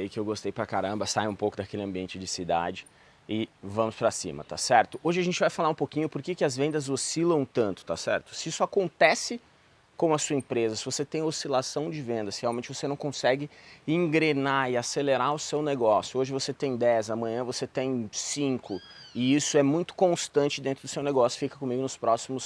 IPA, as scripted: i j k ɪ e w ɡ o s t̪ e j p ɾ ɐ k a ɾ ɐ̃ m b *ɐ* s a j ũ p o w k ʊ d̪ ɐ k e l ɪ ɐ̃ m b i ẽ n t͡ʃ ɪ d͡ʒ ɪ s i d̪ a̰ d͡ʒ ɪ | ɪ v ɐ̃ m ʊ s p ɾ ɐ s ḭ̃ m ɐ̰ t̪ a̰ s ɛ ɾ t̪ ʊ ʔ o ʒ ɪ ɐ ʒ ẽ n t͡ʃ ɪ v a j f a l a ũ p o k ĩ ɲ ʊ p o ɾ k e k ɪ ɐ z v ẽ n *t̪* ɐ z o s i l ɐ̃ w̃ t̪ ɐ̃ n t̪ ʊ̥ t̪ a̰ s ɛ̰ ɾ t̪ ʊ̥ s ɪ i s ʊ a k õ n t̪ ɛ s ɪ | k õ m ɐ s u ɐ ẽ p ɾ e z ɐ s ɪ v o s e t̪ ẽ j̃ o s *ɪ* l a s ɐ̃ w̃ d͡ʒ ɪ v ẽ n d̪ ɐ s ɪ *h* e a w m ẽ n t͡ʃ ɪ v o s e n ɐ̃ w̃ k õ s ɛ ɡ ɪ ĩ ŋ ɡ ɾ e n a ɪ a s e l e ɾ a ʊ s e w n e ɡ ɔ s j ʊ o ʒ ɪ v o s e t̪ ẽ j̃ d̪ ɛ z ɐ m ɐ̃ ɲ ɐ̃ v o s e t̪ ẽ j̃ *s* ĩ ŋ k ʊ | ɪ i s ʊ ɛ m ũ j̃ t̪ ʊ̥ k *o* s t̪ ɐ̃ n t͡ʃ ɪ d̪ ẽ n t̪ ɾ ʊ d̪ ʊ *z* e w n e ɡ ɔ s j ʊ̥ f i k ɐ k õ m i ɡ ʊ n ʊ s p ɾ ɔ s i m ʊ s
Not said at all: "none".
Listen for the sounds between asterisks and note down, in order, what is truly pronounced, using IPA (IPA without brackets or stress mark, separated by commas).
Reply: ɐ, d̪, i, h, s, õ, s